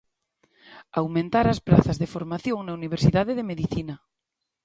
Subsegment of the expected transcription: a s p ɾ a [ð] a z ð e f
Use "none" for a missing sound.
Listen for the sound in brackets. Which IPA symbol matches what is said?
θ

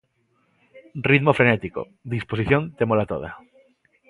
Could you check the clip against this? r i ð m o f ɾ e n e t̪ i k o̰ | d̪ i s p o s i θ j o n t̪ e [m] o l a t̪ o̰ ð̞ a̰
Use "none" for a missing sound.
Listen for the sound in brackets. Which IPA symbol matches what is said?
m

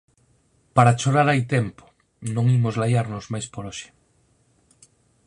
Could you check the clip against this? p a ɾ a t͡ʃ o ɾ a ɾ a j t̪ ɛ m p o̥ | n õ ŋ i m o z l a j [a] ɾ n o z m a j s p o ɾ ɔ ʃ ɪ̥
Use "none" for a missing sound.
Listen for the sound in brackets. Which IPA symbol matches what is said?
a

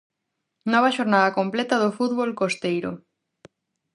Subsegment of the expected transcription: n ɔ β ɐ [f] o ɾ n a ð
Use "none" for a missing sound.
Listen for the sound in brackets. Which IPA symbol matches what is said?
ʃ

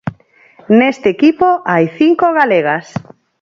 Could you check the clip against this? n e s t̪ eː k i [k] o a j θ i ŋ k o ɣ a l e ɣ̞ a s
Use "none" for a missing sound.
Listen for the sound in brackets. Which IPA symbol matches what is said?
p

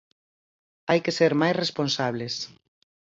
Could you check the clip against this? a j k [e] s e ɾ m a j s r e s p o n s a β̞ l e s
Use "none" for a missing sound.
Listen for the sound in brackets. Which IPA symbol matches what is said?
e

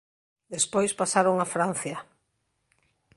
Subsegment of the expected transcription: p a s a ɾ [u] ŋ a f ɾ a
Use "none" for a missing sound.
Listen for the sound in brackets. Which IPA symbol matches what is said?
o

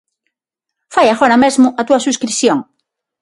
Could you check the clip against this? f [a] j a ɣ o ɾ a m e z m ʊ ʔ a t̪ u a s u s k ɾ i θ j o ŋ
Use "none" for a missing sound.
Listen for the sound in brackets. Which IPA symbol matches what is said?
a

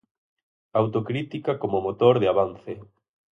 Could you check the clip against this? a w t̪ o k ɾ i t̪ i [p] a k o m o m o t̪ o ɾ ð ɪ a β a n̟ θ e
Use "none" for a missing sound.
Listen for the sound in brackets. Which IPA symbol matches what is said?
k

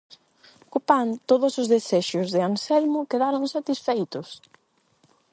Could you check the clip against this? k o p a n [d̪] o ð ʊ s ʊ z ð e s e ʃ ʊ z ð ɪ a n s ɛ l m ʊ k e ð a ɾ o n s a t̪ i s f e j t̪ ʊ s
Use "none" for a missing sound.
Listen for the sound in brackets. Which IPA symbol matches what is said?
t̪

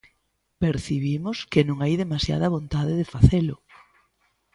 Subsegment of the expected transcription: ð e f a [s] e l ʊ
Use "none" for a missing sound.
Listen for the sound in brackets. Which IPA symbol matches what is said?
θ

